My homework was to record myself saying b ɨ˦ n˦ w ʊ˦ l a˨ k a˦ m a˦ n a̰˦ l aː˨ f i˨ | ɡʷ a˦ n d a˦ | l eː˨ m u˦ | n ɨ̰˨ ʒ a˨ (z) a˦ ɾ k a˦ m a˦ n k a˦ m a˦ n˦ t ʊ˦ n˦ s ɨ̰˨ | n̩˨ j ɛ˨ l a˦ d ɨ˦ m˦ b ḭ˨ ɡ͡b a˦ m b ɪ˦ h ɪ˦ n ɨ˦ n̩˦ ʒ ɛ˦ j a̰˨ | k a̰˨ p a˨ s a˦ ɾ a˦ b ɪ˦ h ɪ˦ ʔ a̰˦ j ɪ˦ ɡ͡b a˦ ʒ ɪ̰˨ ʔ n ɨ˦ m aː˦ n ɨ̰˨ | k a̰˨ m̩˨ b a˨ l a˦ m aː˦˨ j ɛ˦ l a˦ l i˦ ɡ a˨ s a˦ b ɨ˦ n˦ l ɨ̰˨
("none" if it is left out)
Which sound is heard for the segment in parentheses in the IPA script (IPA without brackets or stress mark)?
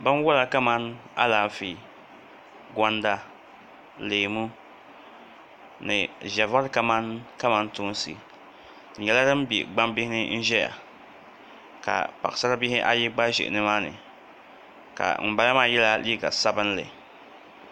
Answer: v